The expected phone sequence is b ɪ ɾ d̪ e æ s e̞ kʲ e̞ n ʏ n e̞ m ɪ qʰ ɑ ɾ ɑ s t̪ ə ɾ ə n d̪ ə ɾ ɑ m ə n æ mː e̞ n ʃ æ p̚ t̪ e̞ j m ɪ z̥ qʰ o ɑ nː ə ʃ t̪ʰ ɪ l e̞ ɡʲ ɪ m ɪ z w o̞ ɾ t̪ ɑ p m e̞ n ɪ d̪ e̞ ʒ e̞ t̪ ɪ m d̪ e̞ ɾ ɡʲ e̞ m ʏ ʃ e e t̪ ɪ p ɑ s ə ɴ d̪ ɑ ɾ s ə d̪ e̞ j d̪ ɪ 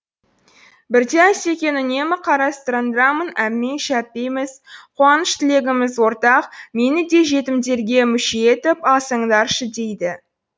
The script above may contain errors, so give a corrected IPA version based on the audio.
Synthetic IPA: b ɪ ɾ d̪ e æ s e̞ kʲ e̞ n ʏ n e̞ m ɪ qʰ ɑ ɾ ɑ s t̪ ə ɾ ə n d̪ ə ɾ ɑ m ə n æ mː e̞ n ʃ æ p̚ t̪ e̞ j m ɪ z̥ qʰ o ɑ n ə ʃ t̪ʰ ɪ l e̞ ɡʲ ɪ m ɪ z w o̞ ɾ t̪ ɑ q m e̞ n ɪ d̪ e̞ ʒ e̞ t̪ ɪ m d̪ e̞ ɾ ɡʲ e̞ m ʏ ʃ e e t̪ ɪ p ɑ s ə ɴ d̪ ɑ ɾ ʃ ə d̪ e̞ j d̪ ɪ